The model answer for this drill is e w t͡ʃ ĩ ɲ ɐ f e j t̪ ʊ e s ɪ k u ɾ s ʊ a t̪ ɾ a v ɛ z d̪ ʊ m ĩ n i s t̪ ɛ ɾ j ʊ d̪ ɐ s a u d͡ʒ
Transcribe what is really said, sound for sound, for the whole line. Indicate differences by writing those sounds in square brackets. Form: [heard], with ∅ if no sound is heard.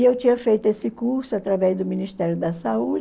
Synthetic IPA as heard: e w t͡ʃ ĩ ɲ ɐ f e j t̪ ʊ e s ɪ k u ɾ s ʊ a t̪ ɾ a v ɛ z d̪ ʊ m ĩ n i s t̪ ɛ ɾ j ʊ d̪ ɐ s a u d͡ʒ